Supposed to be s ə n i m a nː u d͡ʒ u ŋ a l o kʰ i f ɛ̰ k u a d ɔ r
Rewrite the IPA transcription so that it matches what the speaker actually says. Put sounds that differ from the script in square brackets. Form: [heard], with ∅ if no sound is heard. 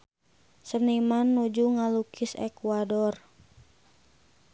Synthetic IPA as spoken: s ə n i m a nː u d͡ʒ u ŋ a l [u] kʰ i [s] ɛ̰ k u a d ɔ r